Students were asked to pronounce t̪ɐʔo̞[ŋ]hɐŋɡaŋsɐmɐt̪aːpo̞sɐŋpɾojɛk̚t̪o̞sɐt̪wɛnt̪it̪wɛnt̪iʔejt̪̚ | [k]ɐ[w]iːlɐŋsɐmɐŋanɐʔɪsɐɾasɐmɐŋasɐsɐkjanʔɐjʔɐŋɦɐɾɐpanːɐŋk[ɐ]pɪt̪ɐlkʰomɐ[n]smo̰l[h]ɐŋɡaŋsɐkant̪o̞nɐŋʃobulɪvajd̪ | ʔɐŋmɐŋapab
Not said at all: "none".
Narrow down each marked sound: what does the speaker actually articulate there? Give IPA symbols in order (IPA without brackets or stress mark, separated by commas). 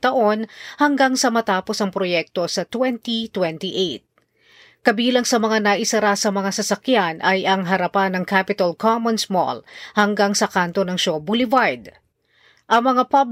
n, k, b, a, n, h